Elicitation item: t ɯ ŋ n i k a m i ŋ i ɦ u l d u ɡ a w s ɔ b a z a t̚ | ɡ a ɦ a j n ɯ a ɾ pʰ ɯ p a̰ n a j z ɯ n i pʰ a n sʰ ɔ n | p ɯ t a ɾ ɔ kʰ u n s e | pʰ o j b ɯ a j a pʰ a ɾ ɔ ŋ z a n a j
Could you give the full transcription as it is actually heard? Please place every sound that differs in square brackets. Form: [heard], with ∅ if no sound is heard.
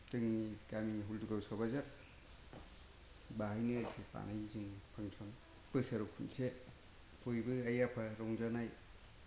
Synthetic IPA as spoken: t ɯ ŋ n i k a m i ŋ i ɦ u l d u ɡ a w s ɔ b a z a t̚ | [b] a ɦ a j n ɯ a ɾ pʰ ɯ p a̰ n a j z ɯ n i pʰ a [ŋ] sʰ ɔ n | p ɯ [s] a ɾ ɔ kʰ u n s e | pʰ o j b ɯ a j a pʰ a ɾ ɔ ŋ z a n a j